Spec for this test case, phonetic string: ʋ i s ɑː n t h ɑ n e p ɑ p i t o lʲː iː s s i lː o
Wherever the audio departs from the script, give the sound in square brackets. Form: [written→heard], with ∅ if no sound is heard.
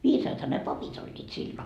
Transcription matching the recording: ʋ [i→iː] s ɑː [n→∅] t h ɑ n e p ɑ p i t o lʲː iː [s→t] s i lː o